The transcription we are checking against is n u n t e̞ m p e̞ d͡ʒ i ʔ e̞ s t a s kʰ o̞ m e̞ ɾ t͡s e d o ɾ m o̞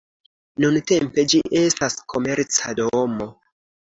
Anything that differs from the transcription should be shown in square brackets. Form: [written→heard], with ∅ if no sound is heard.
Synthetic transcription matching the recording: n u n t e̞ m p e̞ d͡ʒ i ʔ e̞ s t a s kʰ o̞ m e̞ ɾ t͡s [e→a] d o [ɾ→∅] m o̞